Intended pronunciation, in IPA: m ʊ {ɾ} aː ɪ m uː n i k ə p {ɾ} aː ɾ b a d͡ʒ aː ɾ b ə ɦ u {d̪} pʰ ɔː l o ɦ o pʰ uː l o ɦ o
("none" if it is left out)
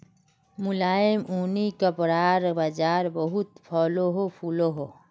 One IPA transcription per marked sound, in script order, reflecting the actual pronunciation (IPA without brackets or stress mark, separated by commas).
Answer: l, ɾ, t̪